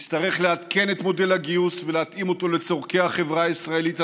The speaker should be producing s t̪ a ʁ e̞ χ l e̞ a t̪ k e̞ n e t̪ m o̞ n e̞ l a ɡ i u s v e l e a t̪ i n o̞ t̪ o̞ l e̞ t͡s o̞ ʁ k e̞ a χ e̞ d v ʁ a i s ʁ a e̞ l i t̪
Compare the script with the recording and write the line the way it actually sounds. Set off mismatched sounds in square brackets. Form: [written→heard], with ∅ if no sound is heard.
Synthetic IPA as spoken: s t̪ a ʁ e̞ χ l e̞ a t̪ k e̞ n e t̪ m o̞ [n→d] e̞ l a ɡ i u s v e l e a t̪ i [n→m] o̞ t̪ o̞ l e̞ t͡s o̞ ʁ k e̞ a χ e̞ [d→∅] v ʁ a i s ʁ a e̞ l i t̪